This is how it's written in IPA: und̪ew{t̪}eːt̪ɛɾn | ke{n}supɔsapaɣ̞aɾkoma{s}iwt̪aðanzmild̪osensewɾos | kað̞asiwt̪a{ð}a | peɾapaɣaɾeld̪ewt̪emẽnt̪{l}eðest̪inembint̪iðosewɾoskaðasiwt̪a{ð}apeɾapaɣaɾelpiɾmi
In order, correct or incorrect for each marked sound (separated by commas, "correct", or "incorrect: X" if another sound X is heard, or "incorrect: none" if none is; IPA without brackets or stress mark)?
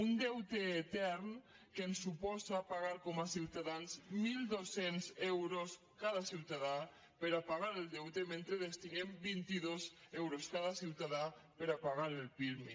correct, correct, correct, correct, incorrect: ɾ, correct